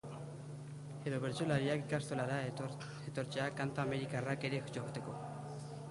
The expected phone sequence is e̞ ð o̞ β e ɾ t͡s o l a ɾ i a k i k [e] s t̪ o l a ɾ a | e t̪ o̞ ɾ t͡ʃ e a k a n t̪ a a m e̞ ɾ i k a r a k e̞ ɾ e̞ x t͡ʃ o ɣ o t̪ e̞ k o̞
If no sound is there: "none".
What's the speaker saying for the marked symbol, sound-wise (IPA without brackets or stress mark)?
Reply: a